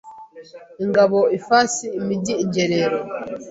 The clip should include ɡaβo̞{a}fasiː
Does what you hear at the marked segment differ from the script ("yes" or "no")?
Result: yes